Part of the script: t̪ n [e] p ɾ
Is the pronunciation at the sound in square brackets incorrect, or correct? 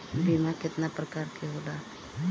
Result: incorrect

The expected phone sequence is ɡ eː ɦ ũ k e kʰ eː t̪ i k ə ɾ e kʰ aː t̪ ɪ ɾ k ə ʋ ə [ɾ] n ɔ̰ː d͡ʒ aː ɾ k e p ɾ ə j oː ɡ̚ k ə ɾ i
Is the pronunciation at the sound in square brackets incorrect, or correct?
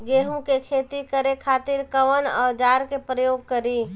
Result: incorrect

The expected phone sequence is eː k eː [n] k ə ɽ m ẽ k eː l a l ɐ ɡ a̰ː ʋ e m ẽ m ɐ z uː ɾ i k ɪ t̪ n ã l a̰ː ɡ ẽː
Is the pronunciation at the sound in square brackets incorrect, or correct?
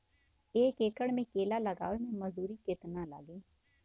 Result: incorrect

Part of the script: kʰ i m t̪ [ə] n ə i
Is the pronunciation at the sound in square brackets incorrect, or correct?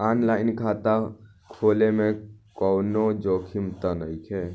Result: incorrect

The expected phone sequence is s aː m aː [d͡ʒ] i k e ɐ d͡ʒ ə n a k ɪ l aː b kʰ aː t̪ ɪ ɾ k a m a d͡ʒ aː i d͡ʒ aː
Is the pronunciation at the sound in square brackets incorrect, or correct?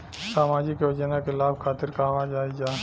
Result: correct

